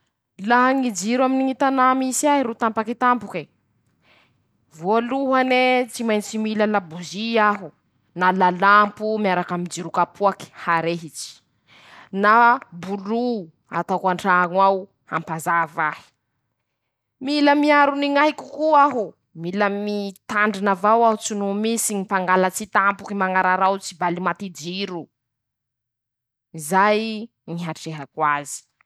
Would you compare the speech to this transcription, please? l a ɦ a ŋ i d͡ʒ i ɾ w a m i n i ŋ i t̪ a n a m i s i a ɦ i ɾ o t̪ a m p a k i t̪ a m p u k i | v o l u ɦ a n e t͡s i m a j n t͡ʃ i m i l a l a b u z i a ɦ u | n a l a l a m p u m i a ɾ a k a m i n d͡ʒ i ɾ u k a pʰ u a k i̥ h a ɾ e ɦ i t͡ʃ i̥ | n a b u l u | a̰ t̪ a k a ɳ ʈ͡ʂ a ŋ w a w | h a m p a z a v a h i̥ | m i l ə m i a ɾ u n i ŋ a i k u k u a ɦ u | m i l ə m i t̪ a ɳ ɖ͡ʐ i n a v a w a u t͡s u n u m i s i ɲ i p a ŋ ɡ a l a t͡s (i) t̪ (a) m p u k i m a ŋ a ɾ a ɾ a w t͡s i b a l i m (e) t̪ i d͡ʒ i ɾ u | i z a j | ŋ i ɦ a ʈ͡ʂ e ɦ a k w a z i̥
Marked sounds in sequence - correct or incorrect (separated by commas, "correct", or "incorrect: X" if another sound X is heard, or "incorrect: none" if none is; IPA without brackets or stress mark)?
correct, correct, incorrect: a